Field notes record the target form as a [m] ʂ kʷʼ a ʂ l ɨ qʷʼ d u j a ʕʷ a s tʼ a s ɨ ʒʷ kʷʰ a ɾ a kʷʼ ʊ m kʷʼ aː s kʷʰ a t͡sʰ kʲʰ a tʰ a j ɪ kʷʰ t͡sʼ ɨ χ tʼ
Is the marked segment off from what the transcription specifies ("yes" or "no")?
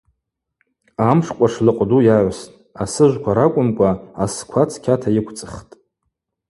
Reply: no